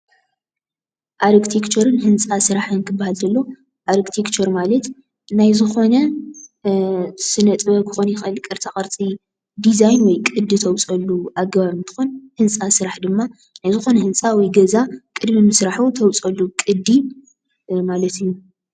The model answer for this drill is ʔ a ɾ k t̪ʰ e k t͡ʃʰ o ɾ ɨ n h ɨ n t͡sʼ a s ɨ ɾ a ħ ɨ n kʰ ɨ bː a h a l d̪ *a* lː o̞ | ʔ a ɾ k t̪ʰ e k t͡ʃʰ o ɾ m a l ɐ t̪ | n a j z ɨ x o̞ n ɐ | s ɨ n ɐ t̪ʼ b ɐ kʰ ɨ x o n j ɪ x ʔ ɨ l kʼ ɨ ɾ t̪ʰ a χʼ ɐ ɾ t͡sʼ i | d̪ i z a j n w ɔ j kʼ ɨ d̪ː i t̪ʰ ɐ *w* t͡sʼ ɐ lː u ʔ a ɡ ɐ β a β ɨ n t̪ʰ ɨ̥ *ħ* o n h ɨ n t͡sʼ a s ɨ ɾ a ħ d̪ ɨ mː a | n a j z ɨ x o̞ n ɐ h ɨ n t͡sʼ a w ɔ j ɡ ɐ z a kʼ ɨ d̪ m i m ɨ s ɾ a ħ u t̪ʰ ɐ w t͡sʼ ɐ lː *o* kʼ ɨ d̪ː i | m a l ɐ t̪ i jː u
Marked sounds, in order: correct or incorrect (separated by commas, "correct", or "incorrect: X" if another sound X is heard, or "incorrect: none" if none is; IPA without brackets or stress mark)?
incorrect: ɐ, correct, incorrect: x, incorrect: u